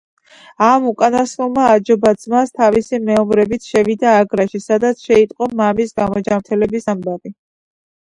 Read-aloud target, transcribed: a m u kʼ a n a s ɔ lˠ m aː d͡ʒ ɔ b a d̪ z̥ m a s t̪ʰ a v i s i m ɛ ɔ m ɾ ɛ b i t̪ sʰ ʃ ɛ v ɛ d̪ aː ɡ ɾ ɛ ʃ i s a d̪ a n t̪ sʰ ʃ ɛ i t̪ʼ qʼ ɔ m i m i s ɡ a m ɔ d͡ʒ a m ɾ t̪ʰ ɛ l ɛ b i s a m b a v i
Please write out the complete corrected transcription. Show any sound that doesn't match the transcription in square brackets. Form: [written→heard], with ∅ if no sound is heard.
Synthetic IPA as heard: a m u kʼ a n a s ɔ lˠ m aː d͡ʒ ɔ b a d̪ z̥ m a s t̪ʰ a v i s i m ɛ ɔ m ɾ ɛ b i t̪ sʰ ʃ ɛ v [ɛ→i] d̪ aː ɡ ɾ [ɛ→a] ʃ i s a d̪ a [n→∅] t̪ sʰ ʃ ɛ i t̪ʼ qʼ ɔ m [i→a] m i s ɡ a m ɔ d͡ʒ a m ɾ t̪ʰ ɛ l ɛ b i s a m b a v i